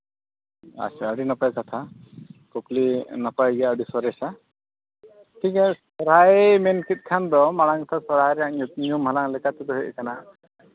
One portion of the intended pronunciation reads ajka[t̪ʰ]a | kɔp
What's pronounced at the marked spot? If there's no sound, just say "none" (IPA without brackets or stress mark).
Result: t̪ʰ